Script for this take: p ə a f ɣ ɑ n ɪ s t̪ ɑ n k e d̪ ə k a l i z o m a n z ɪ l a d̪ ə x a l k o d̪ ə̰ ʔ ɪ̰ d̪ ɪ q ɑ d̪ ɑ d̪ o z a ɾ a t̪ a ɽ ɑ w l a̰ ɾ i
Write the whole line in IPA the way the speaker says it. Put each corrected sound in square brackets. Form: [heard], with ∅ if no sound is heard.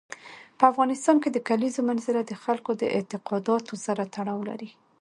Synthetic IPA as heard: p ə a f ɣ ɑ n ɪ s t̪ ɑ n k e d̪ ə k a l i z o m a n z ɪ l a d̪ ə x a l k o d̪ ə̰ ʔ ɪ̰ [t̪] ɪ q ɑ d̪ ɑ [t̪] o z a ɾ a t̪ a ɽ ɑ w l a̰ ɾ i